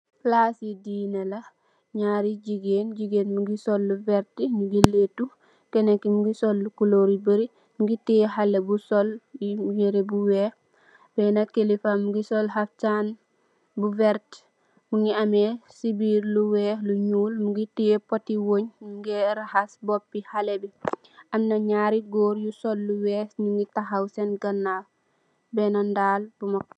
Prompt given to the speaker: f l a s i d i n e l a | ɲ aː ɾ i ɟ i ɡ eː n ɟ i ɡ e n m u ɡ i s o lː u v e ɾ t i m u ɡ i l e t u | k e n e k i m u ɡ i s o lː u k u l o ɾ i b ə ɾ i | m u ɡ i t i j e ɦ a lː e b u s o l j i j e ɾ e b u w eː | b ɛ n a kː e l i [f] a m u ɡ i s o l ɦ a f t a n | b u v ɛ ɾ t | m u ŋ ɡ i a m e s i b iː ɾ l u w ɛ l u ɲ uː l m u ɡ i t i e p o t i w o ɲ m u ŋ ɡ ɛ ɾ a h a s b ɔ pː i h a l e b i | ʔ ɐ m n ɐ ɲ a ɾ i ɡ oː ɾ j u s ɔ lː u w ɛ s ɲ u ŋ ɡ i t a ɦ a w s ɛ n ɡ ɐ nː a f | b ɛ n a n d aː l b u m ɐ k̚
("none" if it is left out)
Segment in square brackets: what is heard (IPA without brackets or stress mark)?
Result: f